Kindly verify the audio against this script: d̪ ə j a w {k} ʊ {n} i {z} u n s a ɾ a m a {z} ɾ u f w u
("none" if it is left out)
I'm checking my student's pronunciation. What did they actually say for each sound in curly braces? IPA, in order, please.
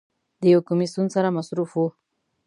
k, m, s, s

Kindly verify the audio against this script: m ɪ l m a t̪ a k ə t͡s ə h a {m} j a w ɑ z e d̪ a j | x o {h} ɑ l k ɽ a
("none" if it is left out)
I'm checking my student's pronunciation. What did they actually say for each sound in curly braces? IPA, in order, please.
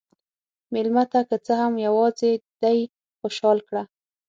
m, ʃ

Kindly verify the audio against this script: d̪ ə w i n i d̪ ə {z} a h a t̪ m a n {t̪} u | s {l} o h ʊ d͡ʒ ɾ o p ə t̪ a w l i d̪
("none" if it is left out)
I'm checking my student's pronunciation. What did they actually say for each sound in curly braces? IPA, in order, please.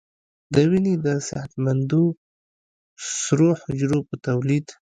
s, d̪, ɾ

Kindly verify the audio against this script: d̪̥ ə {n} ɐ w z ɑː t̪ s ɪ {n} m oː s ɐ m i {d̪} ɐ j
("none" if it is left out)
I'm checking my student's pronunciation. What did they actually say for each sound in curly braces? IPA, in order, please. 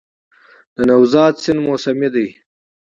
n, n, d̪

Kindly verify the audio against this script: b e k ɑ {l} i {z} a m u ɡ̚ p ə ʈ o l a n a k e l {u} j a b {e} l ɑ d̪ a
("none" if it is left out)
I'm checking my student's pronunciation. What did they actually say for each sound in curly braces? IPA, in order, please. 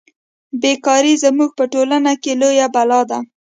ɾ, z, o, a

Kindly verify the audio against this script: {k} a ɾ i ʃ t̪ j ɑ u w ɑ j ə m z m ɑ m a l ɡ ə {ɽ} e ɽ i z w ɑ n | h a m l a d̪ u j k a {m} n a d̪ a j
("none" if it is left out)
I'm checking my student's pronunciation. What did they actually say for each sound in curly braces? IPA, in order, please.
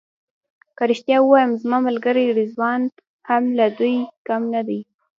k, ɾ, m

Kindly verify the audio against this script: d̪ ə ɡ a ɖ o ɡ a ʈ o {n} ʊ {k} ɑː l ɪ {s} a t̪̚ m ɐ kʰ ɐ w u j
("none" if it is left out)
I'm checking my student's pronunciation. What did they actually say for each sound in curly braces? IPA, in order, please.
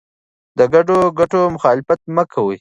m, x, f

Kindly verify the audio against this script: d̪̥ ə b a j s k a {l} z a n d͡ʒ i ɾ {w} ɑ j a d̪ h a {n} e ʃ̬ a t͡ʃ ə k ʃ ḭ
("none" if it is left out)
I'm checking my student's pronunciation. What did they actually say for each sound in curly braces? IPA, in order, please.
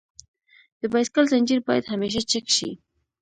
l, b, m

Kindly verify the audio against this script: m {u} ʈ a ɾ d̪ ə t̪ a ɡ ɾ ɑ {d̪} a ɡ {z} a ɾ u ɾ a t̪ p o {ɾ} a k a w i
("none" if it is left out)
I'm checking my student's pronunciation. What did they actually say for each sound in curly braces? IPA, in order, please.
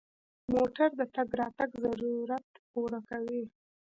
o, t̪, z, ɾ

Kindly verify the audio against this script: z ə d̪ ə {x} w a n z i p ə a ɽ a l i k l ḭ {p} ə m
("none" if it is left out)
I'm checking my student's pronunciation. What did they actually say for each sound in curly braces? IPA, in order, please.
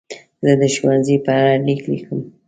ʃ, k

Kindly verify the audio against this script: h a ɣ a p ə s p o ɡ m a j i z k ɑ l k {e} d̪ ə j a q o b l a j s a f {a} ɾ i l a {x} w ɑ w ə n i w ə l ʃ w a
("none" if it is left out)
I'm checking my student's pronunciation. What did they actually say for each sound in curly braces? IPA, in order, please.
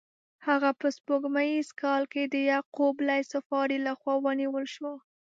e, ɑ, x

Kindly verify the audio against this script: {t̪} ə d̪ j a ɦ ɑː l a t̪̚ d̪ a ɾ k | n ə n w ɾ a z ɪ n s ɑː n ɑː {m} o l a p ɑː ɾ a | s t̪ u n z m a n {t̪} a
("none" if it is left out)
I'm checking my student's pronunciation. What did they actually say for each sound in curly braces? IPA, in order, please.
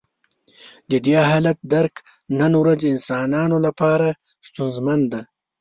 d̪, n, d̪

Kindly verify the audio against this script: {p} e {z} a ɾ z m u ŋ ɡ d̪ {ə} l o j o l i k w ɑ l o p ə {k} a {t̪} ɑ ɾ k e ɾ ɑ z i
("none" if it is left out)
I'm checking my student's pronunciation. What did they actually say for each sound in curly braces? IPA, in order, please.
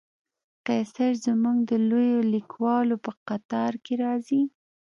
q, s, ə, q, t̪

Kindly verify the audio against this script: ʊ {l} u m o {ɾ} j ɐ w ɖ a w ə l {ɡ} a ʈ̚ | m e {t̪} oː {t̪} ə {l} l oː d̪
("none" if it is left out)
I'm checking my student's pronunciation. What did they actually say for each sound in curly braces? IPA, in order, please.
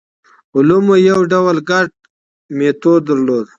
l, none, ɡ, t̪, d̪, ɾ

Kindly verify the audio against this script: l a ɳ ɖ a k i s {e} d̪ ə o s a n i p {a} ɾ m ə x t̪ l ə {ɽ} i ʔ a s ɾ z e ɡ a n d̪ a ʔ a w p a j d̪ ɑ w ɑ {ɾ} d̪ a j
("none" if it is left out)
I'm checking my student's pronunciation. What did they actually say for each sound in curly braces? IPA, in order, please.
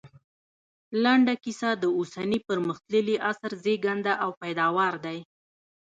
a, ə, l, ɾ

